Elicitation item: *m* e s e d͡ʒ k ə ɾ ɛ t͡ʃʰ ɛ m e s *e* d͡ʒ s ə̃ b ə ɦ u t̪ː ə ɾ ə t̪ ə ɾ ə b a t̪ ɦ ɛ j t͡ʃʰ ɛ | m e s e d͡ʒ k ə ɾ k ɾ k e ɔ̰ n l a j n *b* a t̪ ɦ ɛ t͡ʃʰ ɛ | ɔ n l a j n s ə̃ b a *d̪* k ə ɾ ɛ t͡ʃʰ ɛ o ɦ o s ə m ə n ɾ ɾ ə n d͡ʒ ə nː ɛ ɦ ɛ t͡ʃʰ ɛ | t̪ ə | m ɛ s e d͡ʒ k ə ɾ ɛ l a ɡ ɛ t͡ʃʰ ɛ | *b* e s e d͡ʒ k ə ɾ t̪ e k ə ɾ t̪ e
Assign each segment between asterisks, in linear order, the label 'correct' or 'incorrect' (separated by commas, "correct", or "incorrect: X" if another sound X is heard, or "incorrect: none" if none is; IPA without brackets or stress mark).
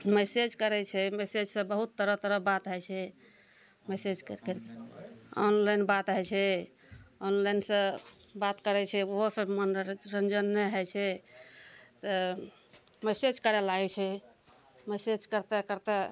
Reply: correct, correct, correct, incorrect: t̪, incorrect: m